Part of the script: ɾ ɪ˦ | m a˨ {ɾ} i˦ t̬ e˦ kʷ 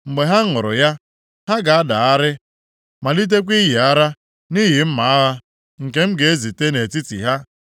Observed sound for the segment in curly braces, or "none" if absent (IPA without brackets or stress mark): l